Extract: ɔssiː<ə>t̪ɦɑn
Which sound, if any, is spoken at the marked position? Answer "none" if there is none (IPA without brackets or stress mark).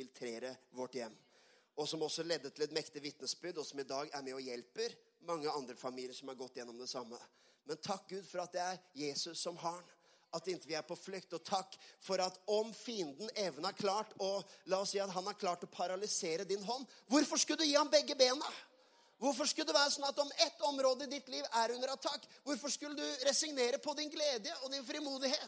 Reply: ɑ